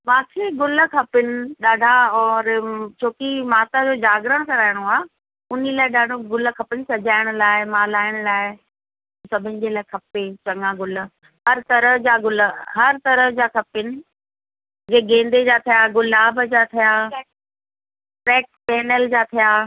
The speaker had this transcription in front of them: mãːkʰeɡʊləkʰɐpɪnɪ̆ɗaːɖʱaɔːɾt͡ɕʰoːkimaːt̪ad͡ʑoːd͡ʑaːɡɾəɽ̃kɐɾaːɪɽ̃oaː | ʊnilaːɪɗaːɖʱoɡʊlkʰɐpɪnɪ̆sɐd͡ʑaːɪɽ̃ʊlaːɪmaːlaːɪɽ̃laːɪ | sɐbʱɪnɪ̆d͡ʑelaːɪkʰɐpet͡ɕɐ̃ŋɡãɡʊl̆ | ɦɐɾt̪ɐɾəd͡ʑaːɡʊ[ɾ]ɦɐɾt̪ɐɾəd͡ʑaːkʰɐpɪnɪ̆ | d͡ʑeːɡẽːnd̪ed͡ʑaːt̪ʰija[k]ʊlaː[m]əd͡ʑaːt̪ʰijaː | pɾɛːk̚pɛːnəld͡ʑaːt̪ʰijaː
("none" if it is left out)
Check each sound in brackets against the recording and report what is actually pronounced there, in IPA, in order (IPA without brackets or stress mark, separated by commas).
l, ɡ, b